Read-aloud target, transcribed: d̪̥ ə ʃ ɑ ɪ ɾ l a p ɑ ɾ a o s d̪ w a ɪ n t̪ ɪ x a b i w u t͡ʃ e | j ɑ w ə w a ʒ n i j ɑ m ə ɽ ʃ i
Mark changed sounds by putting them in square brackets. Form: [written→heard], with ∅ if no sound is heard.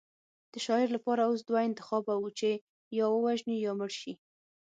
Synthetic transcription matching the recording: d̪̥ ə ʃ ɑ ɪ ɾ l a p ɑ ɾ a o s d̪ w a ɪ n t̪ ɪ x [a→ɑ] b [i→a] w u t͡ʃ e | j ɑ w ə w a ʒ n i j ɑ m ə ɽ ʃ i